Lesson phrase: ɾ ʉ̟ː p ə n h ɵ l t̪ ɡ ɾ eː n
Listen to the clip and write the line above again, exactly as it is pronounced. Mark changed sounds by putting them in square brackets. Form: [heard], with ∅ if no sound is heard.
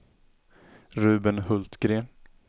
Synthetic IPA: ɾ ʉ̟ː [b] ə n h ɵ l t̪ ɡ ɾ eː n